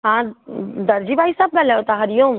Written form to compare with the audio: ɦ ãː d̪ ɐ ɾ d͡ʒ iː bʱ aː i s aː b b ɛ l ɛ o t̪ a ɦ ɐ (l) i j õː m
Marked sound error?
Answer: yes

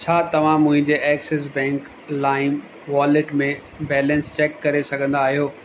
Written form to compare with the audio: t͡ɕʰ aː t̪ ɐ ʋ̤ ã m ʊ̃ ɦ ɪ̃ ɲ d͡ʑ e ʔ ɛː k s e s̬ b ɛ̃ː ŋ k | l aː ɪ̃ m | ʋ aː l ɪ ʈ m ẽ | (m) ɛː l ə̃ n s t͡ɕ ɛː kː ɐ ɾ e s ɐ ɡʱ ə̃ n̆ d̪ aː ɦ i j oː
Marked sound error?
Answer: yes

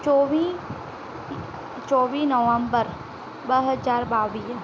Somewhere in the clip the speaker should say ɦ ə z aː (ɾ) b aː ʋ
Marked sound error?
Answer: no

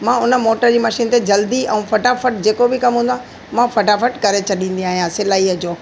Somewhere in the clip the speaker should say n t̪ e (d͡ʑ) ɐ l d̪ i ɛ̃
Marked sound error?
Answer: no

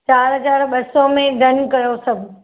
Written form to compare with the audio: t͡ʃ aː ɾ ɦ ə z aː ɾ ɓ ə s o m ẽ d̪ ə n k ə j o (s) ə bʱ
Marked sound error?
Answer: no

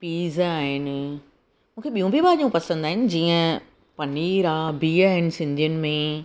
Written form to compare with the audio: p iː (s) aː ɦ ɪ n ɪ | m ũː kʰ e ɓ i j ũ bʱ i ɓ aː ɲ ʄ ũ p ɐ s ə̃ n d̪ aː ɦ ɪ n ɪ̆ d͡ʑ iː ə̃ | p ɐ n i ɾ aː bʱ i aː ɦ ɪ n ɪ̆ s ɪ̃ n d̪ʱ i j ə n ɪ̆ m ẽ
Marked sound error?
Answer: yes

